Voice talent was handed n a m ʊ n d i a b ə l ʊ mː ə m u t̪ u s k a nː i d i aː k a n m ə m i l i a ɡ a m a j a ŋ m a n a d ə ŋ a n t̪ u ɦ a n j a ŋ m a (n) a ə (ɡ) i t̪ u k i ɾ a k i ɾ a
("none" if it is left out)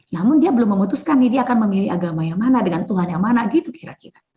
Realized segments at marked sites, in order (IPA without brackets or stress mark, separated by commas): n, ɡ